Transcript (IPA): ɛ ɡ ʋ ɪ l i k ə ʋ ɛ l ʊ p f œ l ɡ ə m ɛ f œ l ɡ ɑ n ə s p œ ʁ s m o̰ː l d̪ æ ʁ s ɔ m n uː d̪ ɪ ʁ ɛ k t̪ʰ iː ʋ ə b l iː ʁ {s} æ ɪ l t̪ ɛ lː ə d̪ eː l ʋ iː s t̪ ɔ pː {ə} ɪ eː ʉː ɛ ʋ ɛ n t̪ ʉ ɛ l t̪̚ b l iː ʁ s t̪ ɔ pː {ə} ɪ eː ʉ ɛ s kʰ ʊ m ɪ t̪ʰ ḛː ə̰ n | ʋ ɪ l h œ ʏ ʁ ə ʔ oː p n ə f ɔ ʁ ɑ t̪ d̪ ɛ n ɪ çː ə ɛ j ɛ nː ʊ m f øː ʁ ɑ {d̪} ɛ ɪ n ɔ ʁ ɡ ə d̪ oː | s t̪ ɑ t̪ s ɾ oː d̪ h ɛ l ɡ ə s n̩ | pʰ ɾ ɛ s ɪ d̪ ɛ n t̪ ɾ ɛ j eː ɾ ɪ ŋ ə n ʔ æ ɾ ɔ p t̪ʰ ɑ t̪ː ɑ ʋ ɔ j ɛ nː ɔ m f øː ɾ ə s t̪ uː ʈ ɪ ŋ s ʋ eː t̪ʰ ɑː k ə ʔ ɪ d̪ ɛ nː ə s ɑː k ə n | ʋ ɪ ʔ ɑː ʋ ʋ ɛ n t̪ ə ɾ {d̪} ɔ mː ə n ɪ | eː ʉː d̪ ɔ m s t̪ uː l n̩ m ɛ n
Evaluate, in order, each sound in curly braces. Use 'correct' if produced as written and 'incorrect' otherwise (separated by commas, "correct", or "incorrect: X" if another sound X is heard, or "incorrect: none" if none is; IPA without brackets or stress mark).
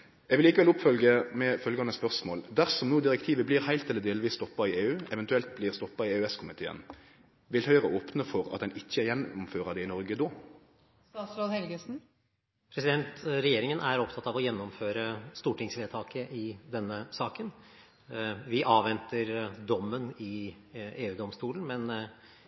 incorrect: h, incorrect: ɑ, incorrect: ɑ, correct, correct